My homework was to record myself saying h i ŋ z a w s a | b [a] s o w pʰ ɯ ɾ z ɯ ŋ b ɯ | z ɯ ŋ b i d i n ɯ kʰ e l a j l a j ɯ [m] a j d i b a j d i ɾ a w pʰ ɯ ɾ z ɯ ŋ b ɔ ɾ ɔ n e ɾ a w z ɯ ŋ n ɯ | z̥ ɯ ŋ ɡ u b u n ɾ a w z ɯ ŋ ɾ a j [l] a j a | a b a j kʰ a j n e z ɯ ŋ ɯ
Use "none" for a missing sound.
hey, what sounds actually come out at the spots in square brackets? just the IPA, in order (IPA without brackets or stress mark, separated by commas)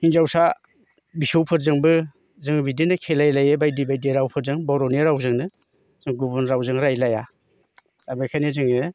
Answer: i, b, l